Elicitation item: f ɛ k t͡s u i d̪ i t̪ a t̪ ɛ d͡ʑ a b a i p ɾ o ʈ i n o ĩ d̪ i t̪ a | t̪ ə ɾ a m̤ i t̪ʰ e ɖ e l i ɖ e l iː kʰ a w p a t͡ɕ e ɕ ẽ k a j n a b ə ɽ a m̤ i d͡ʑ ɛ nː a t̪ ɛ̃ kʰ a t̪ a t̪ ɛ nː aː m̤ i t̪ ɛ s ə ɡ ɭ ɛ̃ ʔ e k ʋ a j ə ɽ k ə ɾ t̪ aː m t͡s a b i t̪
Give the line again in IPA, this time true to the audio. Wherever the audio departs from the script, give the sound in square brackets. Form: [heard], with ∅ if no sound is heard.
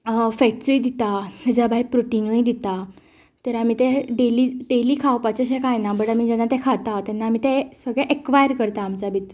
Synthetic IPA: f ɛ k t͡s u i d̪ i t̪ a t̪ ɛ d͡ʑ a b a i p ɾ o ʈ i n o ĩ d̪ i t̪ a | t̪ ə ɾ a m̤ i [t̪] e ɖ e l i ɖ e l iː kʰ a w p a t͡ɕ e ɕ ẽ k a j n a b ə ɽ a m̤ i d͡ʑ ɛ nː a t̪ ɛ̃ kʰ a t̪ a t̪ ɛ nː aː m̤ i t̪ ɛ s ə ɡ ɭ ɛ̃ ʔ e k ʋ a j ə [ɾ] k ə ɾ t̪ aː m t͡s a b i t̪